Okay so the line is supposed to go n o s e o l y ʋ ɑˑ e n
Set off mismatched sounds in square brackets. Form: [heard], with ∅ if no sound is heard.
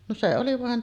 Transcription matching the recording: n o s e o l [i] ʋ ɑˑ e n